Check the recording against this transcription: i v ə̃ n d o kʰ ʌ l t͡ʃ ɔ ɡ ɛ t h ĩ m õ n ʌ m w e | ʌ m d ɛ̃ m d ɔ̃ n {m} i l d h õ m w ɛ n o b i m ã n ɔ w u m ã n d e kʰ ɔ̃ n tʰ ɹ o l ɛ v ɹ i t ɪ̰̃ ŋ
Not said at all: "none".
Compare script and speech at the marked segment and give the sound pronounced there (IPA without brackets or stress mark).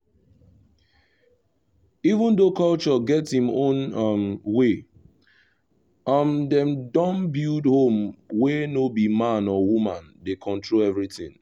b